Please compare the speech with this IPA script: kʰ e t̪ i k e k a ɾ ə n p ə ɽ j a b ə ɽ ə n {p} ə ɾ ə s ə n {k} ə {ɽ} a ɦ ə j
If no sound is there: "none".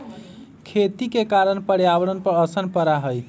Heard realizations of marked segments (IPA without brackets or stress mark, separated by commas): p, p, ɾ